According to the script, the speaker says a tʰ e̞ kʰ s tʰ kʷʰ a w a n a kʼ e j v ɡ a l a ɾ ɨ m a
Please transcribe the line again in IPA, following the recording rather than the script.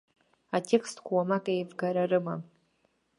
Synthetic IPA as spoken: a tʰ e̞ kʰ s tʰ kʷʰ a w a m a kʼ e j v ɡ a ɾ a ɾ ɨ m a

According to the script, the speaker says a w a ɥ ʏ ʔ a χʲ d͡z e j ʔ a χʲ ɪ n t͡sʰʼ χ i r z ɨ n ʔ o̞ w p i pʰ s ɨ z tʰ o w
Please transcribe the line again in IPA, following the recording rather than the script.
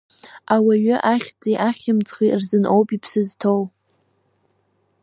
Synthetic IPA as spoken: a w a ɥ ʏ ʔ a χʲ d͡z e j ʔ a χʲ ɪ m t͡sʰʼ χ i r z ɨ n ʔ o̞ w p i pʰ s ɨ z tʰ o w

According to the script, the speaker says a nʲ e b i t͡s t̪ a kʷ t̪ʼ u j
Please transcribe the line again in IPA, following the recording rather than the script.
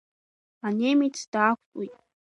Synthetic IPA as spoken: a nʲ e m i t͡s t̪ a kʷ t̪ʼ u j

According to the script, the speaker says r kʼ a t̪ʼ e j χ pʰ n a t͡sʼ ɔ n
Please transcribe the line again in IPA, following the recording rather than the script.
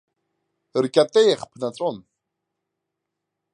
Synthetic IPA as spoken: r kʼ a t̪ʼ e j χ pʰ n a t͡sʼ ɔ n

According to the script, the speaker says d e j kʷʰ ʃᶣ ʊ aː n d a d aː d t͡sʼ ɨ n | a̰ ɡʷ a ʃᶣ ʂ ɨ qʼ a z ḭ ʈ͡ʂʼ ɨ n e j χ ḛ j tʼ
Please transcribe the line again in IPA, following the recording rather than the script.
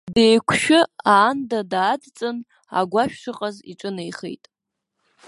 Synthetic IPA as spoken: d e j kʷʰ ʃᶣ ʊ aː n d a d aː d t͡sʼ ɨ n | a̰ ɡʷ a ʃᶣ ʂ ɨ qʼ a z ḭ ʈ͡ʂʼ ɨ n e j χ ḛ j tʼ

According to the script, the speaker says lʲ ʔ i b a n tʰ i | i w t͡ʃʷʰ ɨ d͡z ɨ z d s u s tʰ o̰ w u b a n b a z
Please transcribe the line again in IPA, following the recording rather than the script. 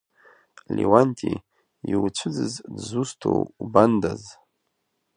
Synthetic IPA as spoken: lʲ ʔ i w a n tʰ i | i w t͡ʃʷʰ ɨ d͡z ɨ z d z u s tʰ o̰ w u b a n d a z

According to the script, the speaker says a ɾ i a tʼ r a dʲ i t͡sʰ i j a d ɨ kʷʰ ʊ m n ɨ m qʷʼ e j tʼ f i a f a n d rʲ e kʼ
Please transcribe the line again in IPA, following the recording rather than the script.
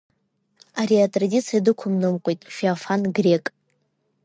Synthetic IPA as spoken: a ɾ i a tʼ r a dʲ i t͡sʰ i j a d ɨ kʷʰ ʊ m n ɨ m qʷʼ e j tʼ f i a f a n ɡ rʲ e kʼ

